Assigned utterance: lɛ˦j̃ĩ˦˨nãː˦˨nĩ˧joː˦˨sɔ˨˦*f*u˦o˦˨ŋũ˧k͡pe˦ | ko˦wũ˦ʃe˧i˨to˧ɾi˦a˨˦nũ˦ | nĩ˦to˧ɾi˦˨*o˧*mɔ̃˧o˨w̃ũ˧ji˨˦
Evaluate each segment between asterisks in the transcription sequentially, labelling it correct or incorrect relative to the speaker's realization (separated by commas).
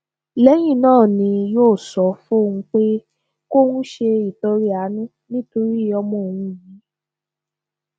correct, incorrect